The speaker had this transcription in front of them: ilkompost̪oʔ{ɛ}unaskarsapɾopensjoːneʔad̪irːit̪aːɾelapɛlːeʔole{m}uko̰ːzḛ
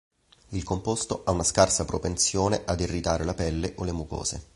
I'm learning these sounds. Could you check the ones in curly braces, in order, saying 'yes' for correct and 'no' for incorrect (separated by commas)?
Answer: no, yes